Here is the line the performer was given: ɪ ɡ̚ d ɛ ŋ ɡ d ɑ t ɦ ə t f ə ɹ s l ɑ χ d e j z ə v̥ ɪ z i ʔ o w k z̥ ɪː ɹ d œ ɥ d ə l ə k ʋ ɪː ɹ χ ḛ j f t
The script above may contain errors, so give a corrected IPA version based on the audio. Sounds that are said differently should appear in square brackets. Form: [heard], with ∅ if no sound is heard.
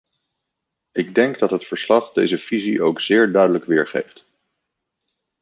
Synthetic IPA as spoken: ɪ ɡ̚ d ɛ ŋ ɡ d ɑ t ɦ ə t f ə ɹ s l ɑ χ d e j z ə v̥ [i] z i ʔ o w k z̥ ɪː ɹ d œ ɥ d ə l ə k ʋ ɪː ɹ χ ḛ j f t